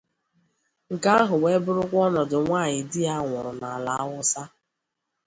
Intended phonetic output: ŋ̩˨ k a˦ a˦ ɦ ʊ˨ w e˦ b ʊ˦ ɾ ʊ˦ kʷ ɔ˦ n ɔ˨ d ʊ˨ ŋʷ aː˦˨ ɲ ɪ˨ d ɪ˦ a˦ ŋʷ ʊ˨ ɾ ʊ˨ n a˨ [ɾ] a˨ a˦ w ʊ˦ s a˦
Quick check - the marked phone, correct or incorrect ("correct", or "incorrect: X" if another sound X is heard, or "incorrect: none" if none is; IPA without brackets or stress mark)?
incorrect: l